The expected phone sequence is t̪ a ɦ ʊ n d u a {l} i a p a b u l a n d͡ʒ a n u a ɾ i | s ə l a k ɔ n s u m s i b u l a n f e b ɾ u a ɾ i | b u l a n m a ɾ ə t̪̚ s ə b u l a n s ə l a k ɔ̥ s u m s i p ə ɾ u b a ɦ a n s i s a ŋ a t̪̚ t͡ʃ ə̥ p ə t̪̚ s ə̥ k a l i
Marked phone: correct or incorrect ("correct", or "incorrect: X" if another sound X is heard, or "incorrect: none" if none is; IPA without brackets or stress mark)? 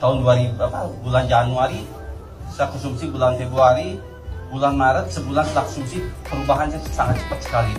incorrect: ɾ